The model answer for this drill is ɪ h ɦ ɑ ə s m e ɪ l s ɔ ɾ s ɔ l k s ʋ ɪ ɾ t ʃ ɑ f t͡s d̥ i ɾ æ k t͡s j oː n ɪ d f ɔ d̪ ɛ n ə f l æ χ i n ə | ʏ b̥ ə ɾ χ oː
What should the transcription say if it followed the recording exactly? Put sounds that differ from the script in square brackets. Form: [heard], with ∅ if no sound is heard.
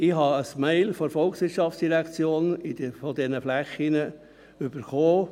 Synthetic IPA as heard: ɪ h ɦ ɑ ə s m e ɪ l [f] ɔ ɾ [f] ɔ l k s ʋ ɪ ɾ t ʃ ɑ f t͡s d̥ i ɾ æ k t͡s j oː n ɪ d f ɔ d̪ ɛ n ə f l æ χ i n ə | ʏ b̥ ə ɾ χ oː